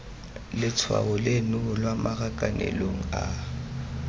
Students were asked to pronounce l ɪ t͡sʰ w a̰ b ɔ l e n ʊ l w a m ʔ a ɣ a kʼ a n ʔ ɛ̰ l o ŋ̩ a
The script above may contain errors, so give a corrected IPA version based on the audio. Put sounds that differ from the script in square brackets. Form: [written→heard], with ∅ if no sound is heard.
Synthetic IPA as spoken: l ɪ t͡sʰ w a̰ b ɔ l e n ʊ l w a m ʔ a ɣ a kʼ a n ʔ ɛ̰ l o ŋ̩ a